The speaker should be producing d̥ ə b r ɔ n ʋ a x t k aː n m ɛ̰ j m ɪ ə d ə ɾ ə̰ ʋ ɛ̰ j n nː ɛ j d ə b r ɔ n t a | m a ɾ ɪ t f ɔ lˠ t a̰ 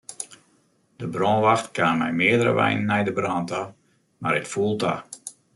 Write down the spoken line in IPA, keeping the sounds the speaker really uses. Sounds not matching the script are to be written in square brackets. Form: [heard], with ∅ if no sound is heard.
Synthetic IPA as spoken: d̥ ə b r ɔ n ʋ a x t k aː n m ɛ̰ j m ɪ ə d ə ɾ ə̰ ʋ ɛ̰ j n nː ɛ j d ə b r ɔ n t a | m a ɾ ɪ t f [u] lˠ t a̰